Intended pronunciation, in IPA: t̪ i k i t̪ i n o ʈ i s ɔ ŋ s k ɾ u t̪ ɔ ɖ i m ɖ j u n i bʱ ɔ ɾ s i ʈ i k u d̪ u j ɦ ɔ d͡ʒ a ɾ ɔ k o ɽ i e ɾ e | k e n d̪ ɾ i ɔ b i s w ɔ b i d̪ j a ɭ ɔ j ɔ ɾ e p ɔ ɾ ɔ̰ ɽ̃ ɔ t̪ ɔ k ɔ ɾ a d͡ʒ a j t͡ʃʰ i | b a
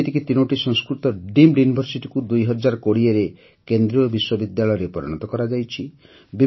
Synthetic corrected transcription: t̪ i k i t̪ i n o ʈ i s ɔ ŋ s k ɾ u t̪ ɔ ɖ i m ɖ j u n i bʱ ɔ ɾ s i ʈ i k u d̪ u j ɦ ɔ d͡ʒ a ɾ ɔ k o ɽ i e ɾ e | k e n d̪ ɾ i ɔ b i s w ɔ b i d̪ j a ɭ ɔ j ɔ ɾ e p ɔ ɾ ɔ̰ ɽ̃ ɔ t̪ ɔ k ɔ ɾ a d͡ʒ a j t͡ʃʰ i | b i